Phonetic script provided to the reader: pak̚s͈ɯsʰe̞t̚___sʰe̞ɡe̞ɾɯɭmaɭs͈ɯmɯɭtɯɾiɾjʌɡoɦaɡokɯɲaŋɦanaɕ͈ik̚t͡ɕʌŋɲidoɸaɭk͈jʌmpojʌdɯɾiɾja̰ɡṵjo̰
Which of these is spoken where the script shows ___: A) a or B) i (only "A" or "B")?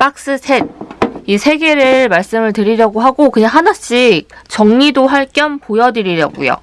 B